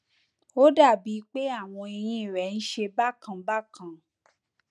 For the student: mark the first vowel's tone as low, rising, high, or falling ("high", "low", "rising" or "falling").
high